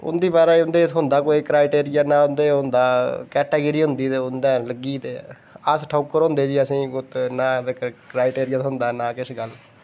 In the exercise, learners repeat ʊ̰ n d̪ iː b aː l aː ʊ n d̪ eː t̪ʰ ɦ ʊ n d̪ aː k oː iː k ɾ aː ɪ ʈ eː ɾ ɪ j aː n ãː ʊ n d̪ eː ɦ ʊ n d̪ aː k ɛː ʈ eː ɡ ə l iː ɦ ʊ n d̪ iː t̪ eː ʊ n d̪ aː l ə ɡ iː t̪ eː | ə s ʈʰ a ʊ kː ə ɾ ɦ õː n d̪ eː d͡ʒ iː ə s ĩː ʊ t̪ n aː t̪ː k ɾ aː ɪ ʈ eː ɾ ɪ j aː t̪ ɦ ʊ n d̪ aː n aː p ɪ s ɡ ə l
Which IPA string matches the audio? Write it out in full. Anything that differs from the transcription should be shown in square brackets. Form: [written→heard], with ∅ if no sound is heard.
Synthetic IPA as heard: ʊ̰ n d̪ iː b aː [l→ɾ] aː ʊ n d̪ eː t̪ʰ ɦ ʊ n d̪ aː k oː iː k ɾ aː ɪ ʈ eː ɾ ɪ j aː n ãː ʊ n d̪ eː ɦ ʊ n d̪ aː k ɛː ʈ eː ɡ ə [l→ɾ] iː ɦ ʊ n d̪ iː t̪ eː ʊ n d̪ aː l ə ɡ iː t̪ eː | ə s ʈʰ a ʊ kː ə ɾ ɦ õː n d̪ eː d͡ʒ iː ə s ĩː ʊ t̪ n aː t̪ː k ɾ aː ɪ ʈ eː ɾ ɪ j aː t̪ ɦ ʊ n d̪ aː n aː [p→k] ɪ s ɡ ə l